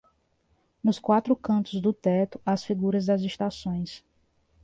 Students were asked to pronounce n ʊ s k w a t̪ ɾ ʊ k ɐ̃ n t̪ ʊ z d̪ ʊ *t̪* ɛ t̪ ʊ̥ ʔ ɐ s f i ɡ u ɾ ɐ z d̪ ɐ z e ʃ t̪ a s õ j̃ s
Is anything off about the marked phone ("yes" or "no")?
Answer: no